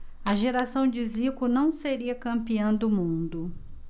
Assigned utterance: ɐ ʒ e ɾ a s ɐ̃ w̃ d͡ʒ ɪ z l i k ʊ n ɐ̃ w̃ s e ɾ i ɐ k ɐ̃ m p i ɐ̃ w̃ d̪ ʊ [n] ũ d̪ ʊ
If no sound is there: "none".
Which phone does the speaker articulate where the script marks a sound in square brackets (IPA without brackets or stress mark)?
m